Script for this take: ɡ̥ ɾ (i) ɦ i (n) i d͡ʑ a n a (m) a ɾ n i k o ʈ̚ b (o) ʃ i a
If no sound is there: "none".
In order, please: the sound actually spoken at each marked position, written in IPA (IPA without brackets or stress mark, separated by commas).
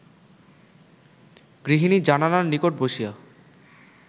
i, n, n, o